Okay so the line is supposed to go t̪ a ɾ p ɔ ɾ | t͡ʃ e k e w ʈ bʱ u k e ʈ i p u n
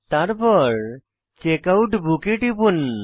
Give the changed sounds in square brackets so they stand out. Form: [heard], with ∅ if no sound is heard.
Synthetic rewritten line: t̪ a ɾ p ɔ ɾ | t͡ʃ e k [a] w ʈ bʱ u k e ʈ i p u n